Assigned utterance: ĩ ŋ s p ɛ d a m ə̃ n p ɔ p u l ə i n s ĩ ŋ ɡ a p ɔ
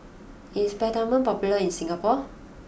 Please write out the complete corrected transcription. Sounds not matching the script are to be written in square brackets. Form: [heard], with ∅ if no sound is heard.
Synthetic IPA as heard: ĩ [n] s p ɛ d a m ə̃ n p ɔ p u l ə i n s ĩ ŋ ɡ a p ɔ